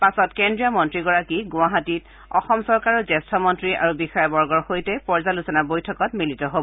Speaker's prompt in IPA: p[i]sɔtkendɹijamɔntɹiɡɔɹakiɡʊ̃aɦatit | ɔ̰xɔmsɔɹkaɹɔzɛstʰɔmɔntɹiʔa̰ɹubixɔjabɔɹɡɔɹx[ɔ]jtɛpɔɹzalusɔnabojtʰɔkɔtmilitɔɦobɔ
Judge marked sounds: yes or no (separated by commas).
no, no